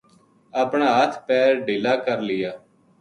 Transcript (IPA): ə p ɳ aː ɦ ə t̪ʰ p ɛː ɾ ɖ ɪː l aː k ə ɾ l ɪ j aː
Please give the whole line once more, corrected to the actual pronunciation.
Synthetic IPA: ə p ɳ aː ɦ ə t̪ʰ p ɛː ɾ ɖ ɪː l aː k ə ɾ l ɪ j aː